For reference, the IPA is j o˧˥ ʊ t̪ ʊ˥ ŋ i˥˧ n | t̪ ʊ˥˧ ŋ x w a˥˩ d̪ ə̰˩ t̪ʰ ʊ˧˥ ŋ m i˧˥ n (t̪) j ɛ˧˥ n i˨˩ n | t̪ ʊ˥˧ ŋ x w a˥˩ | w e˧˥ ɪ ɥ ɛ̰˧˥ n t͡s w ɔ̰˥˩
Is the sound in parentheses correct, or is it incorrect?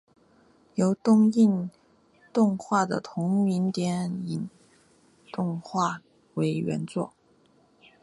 correct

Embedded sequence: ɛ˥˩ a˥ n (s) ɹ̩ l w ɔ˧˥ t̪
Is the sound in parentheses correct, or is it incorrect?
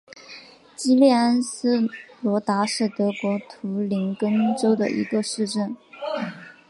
correct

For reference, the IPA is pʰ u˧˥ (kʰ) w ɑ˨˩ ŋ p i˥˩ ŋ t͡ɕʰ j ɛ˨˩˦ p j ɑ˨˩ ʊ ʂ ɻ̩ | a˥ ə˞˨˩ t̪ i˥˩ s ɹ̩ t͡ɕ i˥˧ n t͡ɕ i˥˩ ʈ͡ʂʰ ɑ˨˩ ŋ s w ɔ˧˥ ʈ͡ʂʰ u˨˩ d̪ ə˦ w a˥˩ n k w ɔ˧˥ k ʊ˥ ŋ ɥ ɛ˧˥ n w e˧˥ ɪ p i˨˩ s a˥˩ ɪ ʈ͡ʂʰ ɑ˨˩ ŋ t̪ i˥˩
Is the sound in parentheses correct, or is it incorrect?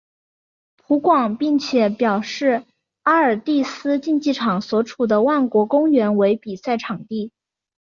incorrect: k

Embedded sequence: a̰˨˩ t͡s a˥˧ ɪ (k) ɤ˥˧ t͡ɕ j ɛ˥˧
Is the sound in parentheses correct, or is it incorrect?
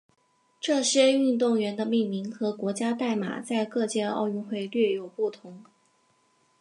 correct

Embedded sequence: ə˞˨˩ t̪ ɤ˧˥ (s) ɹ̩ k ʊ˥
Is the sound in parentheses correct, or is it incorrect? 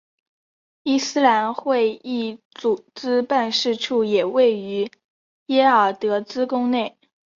incorrect: t͡s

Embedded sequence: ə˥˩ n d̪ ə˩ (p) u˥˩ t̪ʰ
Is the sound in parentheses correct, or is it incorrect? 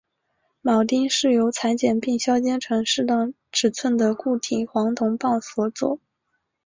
incorrect: k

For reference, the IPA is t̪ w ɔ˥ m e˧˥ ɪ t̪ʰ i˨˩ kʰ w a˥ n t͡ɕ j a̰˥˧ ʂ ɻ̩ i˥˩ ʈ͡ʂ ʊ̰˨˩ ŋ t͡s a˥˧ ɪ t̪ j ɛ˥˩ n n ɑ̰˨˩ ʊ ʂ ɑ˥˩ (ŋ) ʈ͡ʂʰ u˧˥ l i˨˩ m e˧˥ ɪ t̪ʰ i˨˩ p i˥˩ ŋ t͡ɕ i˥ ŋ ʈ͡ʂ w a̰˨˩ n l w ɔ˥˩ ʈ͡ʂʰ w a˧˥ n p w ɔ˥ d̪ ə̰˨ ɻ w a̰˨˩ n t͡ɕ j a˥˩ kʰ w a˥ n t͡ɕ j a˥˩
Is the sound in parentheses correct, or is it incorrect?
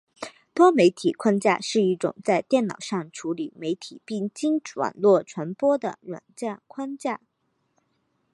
correct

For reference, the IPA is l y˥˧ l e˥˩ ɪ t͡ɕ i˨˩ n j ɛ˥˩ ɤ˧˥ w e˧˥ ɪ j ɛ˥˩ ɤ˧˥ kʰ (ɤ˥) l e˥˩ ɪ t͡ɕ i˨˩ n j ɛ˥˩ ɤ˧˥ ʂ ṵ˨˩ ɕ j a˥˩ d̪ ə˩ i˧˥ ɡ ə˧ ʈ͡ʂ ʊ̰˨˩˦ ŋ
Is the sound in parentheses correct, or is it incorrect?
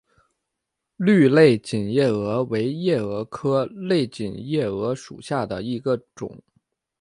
correct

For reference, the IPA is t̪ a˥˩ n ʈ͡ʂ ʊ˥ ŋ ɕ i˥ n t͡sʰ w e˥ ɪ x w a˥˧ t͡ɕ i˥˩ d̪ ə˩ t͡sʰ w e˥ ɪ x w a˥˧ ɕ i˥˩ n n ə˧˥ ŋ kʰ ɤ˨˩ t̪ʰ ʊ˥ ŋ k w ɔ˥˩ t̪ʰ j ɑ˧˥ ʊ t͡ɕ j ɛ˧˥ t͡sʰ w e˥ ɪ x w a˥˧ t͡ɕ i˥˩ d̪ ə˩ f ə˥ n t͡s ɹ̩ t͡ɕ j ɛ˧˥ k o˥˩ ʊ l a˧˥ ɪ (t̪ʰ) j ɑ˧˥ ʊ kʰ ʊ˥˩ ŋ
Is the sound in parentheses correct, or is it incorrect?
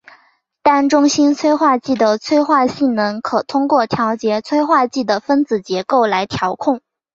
correct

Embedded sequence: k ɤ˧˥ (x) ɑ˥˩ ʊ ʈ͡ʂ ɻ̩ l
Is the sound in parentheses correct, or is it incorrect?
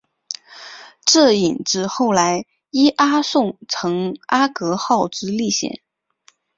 correct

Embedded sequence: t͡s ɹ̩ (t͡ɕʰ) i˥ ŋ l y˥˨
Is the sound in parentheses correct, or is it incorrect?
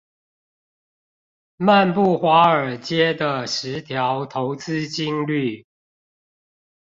incorrect: t͡ɕ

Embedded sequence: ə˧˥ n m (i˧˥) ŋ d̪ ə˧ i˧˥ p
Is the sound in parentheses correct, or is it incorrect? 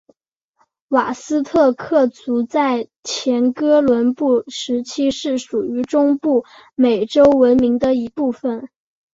correct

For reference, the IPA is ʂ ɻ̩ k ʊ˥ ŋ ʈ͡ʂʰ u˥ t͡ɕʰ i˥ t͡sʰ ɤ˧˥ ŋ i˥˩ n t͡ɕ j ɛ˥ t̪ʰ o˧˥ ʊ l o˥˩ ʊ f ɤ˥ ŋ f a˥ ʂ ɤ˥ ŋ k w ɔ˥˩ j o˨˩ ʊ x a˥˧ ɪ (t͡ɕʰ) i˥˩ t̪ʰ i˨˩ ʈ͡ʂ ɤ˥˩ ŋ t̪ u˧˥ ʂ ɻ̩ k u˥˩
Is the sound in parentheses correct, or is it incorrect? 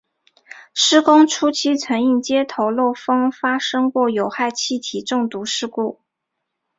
correct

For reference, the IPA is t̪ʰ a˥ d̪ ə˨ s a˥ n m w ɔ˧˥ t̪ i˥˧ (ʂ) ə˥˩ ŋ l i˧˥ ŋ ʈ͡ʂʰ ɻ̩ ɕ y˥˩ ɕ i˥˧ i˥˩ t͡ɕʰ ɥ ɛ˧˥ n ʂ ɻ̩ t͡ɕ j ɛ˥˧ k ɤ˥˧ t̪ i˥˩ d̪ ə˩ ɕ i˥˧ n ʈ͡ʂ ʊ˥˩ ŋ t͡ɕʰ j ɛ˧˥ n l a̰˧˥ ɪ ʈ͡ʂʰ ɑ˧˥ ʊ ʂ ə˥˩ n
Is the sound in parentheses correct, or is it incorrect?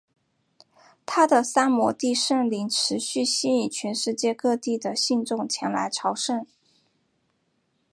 correct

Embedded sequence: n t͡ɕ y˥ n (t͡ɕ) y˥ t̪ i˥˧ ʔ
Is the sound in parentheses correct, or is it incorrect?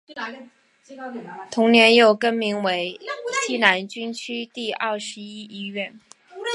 incorrect: t͡ɕʰ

